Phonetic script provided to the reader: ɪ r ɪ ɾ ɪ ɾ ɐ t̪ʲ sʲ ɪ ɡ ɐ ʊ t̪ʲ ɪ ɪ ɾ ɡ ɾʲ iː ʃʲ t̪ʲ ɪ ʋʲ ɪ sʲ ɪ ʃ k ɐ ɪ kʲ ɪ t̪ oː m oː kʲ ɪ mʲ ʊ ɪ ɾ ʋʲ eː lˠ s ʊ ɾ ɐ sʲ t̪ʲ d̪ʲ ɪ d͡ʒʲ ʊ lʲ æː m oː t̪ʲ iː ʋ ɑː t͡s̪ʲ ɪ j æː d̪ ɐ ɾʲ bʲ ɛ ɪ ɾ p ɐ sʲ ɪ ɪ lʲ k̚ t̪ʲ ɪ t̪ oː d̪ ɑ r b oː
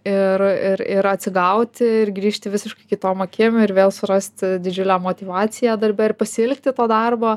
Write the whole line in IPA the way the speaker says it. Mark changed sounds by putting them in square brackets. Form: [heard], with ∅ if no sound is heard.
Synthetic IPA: ɪ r ɪ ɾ ɪ ɾ ɐ t̪ʲ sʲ ɪ ɡ ɐ ʊ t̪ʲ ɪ ɪ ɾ ɡ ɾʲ iː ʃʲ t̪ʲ ɪ ʋʲ ɪ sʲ ɪ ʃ k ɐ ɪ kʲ ɪ t̪ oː m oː kʲ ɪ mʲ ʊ ɪ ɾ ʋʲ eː lˠ s ʊ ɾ ɐ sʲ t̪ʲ d̪ʲ ɪ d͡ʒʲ ʊ lʲ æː m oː t̪ʲ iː ʋ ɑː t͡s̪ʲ ɪ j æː d̪ ɐ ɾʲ bʲ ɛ ɪ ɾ p ɐ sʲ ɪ ɪ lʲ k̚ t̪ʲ ɪ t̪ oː d̪ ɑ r b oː